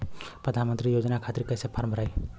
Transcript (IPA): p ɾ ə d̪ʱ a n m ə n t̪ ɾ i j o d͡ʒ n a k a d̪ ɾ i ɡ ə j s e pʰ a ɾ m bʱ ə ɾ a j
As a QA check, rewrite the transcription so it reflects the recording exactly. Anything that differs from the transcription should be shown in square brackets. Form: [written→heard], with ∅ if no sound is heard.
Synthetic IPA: p ɾ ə d̪ʱ a n m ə n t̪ ɾ i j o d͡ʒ n a [k→kʰ] a [d̪→t̪] ɾ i [ɡ→k] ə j s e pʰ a ɾ m bʱ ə ɾ a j